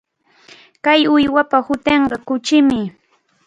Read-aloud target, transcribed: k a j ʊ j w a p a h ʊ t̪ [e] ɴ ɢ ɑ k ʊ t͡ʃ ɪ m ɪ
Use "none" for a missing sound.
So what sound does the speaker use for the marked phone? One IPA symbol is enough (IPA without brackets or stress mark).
e